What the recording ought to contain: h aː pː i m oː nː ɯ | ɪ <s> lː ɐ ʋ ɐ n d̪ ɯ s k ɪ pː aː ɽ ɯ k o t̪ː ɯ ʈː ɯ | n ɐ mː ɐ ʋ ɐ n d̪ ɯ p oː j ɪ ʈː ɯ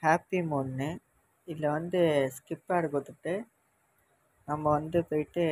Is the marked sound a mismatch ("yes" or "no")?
yes